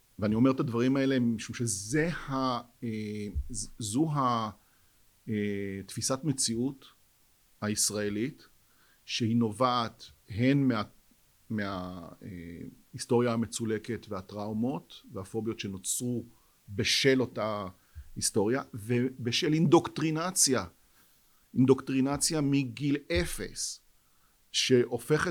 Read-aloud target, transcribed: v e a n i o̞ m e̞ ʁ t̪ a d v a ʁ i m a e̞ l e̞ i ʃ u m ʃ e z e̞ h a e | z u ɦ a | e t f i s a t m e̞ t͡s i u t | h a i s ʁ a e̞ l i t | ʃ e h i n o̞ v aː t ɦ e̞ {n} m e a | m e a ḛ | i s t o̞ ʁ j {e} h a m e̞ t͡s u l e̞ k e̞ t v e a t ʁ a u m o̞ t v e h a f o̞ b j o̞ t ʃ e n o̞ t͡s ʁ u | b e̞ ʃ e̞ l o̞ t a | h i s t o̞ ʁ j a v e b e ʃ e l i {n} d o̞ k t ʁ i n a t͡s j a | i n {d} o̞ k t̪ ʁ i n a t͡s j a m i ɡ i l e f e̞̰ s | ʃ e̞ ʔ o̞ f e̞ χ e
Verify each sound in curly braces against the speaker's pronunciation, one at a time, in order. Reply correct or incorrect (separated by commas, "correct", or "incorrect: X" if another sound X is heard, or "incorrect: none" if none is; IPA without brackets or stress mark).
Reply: correct, incorrect: a, correct, correct